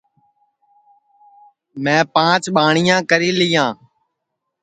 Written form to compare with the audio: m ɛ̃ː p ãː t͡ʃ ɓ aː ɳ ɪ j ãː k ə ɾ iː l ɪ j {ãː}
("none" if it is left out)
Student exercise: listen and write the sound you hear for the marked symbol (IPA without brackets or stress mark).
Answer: ãː